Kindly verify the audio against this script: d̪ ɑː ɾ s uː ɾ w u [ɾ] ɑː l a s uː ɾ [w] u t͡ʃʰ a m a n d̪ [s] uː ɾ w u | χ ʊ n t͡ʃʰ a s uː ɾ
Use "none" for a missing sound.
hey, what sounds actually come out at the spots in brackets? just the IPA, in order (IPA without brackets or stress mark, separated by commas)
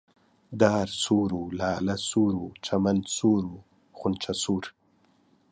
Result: l, w, s